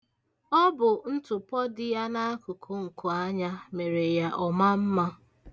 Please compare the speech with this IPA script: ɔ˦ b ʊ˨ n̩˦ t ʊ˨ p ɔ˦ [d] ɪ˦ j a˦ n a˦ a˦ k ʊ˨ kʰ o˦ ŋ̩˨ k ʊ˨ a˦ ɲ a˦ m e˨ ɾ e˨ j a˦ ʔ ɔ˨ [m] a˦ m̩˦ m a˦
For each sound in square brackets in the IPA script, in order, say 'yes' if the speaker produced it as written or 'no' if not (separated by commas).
yes, yes